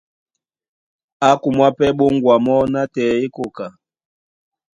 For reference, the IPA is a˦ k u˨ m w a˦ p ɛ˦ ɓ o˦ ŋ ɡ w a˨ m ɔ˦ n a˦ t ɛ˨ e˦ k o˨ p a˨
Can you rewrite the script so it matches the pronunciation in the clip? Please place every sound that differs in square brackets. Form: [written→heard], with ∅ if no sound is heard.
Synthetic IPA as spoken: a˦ k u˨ m w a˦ p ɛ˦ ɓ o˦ ŋ ɡ w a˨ m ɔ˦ n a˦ t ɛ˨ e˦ k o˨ [p→k] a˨